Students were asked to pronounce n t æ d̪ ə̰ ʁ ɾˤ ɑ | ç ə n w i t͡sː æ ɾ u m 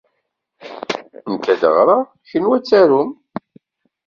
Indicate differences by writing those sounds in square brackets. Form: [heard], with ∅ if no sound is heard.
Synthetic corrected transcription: n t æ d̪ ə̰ ʁ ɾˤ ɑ | ç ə n w [æ] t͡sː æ ɾ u m